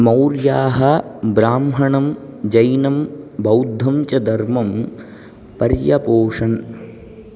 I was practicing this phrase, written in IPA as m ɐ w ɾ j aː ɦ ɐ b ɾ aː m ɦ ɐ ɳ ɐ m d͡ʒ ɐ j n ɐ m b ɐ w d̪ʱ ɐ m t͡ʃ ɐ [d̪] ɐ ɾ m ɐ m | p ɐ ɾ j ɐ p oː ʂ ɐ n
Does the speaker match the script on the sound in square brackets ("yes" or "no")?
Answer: yes